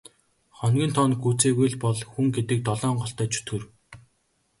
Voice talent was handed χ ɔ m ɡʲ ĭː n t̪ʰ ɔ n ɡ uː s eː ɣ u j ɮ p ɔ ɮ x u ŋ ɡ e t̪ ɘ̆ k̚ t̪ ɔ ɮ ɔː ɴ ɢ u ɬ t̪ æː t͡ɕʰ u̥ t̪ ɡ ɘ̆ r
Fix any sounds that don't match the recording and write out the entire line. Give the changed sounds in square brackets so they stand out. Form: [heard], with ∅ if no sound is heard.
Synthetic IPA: χ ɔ [n] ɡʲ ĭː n t̪ʰ ɔ n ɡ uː [t͡s] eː ɣ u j ɮ p ɔ ɮ x u ŋ ɡ e t̪ ɘ̆ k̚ t̪ ɔ ɮ ɔː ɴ ɢ [ɔ] ɬ t̪ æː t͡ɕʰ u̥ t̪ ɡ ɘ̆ r